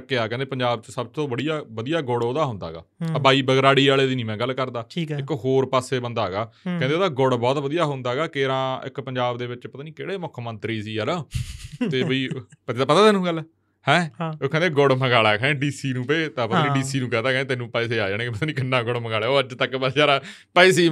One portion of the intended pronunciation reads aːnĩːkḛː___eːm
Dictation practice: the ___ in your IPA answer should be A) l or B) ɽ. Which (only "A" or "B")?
B